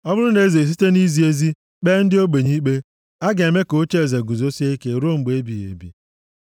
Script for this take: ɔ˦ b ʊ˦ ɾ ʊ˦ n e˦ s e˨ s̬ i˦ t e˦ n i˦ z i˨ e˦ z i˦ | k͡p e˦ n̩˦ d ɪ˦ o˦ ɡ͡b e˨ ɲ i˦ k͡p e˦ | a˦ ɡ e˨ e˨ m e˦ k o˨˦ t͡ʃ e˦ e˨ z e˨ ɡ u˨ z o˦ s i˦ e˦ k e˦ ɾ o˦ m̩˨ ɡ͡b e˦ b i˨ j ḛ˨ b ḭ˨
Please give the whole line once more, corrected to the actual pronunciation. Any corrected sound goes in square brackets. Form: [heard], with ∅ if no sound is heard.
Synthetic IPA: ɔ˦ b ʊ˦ ɾ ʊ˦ n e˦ [z] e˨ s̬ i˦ t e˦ n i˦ z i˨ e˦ z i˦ | k͡p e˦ n̩˦ d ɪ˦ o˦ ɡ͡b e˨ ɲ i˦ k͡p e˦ | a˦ ɡ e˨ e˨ m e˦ k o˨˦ t͡ʃ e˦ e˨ z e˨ ɡ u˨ z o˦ s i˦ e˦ k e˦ ɾ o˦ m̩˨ ɡ͡b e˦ b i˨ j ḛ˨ b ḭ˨